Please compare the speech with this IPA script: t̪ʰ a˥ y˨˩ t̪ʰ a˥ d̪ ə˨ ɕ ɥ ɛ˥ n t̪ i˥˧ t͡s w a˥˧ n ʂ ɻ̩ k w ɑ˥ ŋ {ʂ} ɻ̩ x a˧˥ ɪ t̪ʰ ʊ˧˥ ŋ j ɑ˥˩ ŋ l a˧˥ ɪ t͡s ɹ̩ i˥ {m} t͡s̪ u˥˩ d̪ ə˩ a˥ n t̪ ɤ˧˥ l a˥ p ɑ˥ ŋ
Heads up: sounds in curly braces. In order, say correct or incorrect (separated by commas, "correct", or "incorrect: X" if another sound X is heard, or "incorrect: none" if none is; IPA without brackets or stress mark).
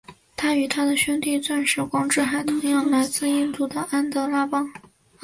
incorrect: ʈ͡ʂ, incorrect: n